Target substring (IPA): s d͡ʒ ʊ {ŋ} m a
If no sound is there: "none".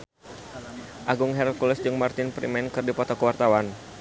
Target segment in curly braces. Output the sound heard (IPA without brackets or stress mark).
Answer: ŋ